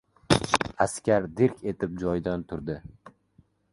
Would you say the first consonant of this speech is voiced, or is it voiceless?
voiceless